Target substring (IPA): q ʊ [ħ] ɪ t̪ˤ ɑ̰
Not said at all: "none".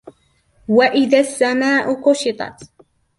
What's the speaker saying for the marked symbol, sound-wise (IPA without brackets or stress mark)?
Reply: ʃ